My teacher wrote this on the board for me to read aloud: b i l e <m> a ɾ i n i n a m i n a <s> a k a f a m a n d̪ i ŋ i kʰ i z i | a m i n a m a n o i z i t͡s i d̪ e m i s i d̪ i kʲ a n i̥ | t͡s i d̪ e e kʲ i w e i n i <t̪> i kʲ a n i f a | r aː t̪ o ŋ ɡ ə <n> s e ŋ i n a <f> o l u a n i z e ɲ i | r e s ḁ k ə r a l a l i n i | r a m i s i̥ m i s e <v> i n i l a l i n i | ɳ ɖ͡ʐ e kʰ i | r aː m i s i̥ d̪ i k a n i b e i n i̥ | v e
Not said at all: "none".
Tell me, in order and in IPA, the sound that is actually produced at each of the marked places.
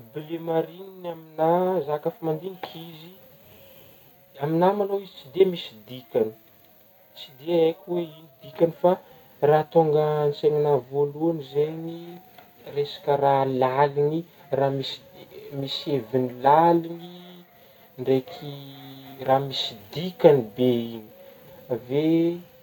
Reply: m, z, d̪, n, v, v

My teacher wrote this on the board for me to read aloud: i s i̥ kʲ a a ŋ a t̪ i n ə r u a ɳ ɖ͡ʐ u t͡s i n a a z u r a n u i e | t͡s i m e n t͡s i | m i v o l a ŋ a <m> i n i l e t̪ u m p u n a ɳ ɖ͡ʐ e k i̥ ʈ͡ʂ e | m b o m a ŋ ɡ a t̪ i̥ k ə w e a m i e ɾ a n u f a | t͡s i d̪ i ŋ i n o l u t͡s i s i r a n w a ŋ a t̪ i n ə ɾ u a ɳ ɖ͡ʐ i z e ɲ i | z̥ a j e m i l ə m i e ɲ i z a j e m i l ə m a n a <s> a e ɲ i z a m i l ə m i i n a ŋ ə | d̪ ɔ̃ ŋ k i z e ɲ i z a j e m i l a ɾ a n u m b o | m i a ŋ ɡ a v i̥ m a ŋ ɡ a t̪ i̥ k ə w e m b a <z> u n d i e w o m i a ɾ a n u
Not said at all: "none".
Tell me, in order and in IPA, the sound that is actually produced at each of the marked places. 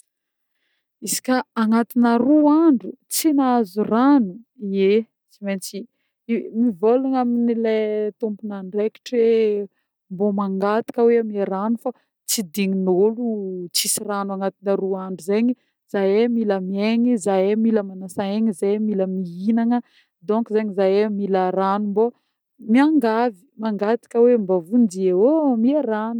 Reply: m, s, v

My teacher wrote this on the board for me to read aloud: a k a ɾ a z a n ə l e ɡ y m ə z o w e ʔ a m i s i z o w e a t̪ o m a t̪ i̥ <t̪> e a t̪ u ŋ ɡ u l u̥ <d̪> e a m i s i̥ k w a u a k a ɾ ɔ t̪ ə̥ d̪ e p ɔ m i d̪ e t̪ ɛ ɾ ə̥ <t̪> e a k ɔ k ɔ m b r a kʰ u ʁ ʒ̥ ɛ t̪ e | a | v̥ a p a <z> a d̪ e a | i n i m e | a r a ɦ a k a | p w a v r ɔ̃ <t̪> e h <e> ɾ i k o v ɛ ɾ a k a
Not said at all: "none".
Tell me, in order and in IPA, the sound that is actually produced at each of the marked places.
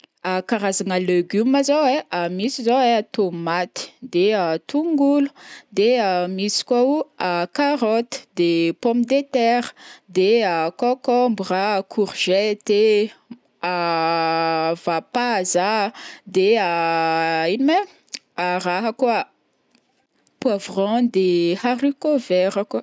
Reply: d̪, d̪, d̪, z, d̪, a

